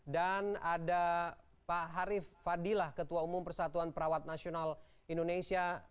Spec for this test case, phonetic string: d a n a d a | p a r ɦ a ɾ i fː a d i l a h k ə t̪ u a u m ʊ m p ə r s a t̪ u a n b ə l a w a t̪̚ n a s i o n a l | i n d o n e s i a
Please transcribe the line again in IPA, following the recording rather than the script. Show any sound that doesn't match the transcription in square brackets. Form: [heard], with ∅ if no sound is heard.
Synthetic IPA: d a n a d a | p a [∅] ɦ a ɾ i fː a d i l a h k ə t̪ u a u m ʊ m p ə r s a t̪ u a n [p] ə [ɾ] a w a t̪̚ n a s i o n a l | i n d o n e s i a